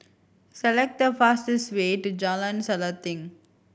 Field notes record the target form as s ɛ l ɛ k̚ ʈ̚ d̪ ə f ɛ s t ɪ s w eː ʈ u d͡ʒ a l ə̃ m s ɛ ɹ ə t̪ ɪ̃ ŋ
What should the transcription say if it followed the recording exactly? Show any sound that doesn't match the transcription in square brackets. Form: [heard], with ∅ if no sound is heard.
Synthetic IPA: s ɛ l ɛ k̚ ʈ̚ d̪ ə f [a] s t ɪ s w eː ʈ u d͡ʒ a l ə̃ [n] s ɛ [l] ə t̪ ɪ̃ ŋ